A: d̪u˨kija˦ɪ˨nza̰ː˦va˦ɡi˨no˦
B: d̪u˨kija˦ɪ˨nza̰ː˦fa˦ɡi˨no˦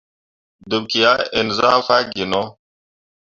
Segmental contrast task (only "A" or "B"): B